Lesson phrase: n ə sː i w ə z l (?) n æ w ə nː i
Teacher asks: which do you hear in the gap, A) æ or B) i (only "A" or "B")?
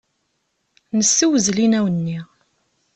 B